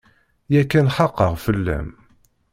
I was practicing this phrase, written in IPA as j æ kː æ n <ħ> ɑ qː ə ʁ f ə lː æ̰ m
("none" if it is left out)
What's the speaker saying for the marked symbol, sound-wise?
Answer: ħ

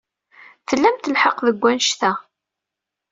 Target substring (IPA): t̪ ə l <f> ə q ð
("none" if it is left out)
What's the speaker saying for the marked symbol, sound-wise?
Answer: ħ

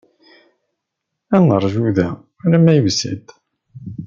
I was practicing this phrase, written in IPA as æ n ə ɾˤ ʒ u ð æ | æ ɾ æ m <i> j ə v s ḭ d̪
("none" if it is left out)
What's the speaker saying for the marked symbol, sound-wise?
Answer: æ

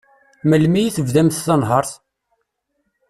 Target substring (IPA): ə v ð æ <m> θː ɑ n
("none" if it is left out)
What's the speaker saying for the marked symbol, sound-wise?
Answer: m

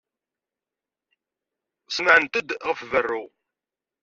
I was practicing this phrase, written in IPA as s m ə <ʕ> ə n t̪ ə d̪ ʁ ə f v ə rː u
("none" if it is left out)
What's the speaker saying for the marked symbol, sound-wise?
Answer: ʕ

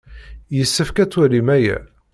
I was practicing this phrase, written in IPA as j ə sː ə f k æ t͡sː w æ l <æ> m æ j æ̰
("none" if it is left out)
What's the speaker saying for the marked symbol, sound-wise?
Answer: i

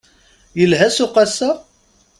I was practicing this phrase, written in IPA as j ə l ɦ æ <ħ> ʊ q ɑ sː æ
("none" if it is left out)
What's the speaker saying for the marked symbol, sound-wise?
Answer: s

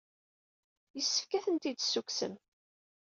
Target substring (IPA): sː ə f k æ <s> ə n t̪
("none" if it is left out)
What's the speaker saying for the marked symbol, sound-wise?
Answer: θ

